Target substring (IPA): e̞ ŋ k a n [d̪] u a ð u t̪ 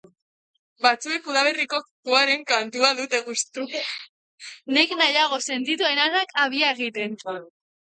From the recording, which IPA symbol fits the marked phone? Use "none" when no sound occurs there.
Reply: t̪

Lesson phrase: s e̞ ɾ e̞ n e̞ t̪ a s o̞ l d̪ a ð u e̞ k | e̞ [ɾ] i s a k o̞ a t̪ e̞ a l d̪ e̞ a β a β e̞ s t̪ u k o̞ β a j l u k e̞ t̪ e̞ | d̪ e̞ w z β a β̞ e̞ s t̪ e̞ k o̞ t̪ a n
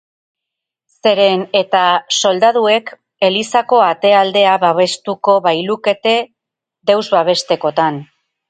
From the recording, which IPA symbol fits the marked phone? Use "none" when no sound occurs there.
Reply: l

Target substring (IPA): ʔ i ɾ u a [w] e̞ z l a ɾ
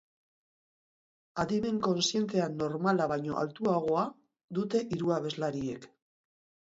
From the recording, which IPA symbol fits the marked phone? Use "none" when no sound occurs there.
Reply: β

